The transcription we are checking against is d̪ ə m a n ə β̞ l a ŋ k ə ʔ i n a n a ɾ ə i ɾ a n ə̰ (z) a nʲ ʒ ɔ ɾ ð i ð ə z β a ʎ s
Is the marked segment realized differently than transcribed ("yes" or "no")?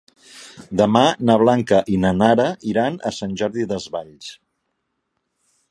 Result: yes